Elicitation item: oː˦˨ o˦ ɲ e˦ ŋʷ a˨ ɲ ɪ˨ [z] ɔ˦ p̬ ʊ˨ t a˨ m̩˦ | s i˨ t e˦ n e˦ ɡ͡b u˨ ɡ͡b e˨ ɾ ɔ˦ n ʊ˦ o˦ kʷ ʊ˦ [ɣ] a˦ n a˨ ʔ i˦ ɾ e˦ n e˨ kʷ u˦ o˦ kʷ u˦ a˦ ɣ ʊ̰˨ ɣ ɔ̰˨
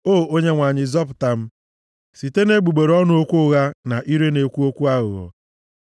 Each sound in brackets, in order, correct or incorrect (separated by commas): correct, correct